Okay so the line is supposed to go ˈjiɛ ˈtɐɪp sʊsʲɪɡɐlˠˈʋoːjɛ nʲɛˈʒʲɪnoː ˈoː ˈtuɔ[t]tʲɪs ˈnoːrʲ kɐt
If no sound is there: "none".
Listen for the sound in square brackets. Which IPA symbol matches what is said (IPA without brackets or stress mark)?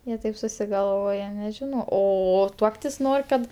k